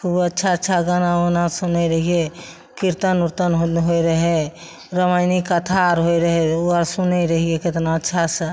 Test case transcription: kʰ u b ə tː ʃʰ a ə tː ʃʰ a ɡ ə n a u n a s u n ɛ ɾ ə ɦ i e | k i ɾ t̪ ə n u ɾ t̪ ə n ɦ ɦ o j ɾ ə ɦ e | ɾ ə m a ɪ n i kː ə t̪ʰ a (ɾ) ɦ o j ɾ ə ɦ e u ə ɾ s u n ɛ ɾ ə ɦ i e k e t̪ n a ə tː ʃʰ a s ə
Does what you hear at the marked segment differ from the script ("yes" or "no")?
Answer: no